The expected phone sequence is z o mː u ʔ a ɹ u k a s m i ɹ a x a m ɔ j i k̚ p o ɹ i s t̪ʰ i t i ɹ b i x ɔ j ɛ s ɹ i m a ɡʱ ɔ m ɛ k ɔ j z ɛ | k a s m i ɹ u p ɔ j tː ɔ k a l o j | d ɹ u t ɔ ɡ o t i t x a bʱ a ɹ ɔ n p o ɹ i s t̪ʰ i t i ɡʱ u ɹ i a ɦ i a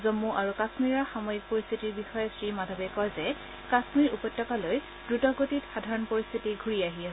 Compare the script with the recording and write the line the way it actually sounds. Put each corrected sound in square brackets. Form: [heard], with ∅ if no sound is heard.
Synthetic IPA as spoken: z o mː u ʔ a ɹ u k a s m i ɹ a x a m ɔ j i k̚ p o ɹ i s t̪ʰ i t i ɹ b i x ɔ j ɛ s ɹ i m a [dʱ] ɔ [b] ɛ k ɔ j z ɛ | k a s m i ɹ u p ɔ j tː ɔ k a l o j | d ɹ u t ɔ ɡ o t i t x a [dʱ] a ɹ ɔ n p o ɹ i s t̪ʰ i t i ɡʱ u ɹ i a ɦ i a